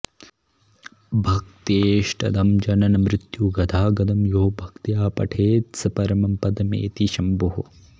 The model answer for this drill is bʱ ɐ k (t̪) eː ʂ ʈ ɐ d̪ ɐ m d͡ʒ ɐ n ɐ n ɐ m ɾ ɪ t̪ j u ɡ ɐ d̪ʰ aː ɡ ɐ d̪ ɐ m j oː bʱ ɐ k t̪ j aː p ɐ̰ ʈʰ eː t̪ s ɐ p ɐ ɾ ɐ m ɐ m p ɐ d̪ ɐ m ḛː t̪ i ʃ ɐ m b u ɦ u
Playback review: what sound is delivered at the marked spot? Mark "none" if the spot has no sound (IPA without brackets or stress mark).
t̪